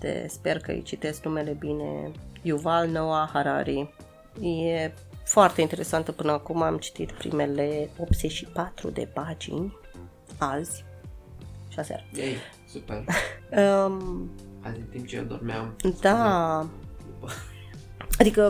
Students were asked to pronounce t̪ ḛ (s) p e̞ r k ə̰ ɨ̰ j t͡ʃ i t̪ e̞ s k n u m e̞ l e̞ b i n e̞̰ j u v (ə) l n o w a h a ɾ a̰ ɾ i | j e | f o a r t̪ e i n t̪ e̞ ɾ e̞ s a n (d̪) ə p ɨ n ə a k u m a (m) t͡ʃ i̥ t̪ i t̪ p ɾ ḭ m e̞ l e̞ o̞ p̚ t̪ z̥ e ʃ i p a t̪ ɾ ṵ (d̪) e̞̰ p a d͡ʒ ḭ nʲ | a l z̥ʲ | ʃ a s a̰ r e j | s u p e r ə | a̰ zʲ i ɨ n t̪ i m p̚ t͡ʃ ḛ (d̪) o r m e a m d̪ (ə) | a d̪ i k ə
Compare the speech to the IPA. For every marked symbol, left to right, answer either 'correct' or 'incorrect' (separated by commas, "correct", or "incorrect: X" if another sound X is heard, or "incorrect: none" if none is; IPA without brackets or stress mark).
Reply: correct, incorrect: a, incorrect: t̪, correct, correct, correct, incorrect: a